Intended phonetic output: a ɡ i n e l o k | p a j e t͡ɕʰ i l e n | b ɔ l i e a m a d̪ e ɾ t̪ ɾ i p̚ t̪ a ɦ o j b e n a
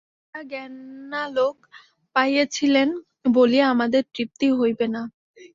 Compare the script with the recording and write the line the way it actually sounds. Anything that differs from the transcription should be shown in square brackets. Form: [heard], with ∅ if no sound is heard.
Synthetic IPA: a ɡ [ɛ] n [a] l o k | p a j e t͡ɕʰ i l e n | b [o] l i e a m a d̪ e ɾ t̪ ɾ i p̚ t̪ [i] ɦ o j b e n a